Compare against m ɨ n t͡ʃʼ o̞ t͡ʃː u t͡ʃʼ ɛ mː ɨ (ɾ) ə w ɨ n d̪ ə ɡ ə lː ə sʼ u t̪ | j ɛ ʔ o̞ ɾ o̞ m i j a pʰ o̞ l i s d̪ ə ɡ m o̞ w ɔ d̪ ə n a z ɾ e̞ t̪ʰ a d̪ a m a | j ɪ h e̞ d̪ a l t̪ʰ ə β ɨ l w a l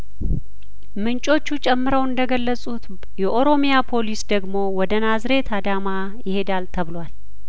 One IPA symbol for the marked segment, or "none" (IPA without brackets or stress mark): ɾ